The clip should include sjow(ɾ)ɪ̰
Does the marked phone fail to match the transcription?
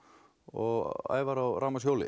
yes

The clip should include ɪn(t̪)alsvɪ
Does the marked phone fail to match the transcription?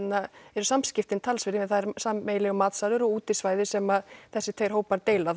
yes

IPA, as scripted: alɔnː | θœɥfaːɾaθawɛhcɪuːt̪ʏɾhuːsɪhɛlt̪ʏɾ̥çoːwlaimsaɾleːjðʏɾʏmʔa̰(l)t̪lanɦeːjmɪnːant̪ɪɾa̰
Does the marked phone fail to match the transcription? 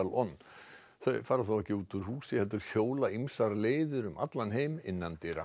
yes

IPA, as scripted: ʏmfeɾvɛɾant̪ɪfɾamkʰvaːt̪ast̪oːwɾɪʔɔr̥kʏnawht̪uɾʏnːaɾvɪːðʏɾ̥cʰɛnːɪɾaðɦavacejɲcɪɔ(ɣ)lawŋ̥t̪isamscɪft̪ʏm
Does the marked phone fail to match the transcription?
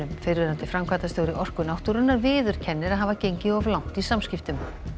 yes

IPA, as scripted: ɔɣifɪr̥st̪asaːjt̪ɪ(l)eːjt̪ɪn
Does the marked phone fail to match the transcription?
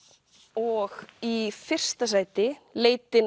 no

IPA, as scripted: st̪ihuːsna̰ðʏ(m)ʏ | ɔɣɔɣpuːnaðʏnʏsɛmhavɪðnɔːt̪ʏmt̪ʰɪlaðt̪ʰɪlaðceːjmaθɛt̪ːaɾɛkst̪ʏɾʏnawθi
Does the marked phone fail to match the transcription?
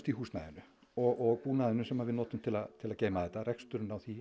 yes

